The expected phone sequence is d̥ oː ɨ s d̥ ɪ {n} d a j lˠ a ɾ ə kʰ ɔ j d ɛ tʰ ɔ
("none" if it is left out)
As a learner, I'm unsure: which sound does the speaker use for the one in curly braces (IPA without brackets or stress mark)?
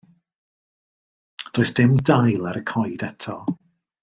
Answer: m